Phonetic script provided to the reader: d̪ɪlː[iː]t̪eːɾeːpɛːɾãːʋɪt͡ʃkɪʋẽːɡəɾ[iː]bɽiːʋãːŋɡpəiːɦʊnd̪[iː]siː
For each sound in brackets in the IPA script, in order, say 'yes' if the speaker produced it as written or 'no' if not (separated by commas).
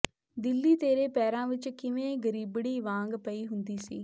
yes, yes, yes